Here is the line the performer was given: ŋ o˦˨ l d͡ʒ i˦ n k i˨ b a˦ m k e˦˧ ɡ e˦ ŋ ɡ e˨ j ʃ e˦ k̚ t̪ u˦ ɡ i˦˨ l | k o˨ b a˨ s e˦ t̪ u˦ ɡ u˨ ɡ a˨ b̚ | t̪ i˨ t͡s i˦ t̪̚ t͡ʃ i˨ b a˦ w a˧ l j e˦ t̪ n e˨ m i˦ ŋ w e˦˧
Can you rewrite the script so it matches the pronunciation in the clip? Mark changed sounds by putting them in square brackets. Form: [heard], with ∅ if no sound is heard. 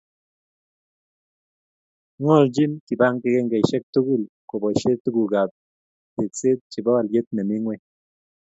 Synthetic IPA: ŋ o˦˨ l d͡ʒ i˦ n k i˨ b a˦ [ŋ] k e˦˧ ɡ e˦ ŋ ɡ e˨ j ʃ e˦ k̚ t̪ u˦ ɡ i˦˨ l | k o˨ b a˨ [ʃ] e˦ t̪ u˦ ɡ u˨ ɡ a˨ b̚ | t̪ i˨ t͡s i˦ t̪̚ t͡ʃ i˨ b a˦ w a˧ l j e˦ t̪ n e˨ m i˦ ŋ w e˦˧